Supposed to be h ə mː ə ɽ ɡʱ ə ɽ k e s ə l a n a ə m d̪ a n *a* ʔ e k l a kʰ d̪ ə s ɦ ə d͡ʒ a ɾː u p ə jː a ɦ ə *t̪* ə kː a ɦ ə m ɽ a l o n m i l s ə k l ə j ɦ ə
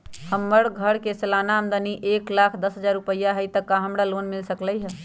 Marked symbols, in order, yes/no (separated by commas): no, yes